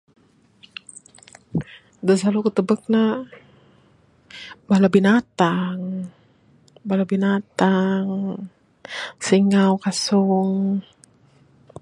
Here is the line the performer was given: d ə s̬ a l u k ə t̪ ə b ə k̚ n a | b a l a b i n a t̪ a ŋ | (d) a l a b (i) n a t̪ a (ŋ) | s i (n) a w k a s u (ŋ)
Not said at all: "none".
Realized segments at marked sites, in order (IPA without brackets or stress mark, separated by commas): b, i, ŋ, ŋ, ŋ